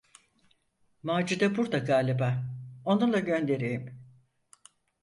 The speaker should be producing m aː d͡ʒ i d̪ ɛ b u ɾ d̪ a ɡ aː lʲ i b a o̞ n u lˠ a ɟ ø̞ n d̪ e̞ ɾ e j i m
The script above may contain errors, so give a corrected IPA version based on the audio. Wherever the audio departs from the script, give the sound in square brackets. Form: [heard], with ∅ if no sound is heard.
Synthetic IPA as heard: m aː d͡ʒ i d̪ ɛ b u ɾ d̪ a ɡ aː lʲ i b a o̞ n u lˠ a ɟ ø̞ n d̪ e̞ ɾ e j i m